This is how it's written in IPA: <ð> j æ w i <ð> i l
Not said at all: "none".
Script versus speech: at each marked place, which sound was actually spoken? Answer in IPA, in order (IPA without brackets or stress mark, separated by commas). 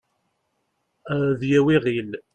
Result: ð, ʁ